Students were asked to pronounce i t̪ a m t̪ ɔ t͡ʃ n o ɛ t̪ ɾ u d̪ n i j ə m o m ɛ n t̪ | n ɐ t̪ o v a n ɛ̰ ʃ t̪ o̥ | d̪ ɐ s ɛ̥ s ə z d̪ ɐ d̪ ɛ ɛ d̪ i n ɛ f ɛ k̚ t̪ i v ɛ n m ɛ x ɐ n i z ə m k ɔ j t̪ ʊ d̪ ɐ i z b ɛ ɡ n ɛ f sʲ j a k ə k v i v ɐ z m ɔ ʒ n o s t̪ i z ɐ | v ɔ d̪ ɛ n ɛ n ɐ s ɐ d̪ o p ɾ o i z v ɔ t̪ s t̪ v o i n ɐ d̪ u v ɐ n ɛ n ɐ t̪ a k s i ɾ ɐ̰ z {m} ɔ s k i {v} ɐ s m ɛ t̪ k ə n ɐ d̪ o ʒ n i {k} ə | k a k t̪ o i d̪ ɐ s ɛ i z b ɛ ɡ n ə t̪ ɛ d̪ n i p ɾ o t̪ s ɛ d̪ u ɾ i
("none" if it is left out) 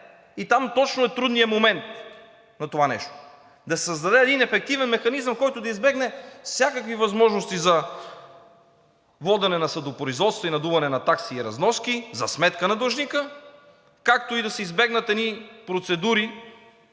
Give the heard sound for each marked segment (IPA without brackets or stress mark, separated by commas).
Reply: n, z, k